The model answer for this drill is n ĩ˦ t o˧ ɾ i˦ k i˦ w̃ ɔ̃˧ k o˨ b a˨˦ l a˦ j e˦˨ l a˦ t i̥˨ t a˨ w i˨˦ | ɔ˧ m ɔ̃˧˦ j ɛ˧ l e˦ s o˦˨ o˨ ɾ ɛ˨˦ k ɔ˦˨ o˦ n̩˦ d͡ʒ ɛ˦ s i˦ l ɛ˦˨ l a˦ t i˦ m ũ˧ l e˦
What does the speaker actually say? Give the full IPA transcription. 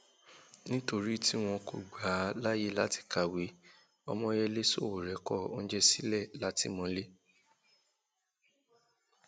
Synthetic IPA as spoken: n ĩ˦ t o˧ ɾ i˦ t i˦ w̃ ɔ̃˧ k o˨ ɡ͡b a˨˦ l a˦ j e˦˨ l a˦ t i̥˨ k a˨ w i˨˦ | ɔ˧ m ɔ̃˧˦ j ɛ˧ l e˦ s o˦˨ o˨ ɾ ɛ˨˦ k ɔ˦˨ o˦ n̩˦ d͡ʒ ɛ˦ s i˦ l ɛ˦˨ l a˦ t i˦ m ɔ̃˧ l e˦